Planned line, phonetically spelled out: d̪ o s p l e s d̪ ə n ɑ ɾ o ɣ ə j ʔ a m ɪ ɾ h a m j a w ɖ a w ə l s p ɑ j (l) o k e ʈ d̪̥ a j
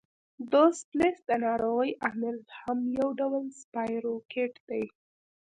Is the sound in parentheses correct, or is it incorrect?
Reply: incorrect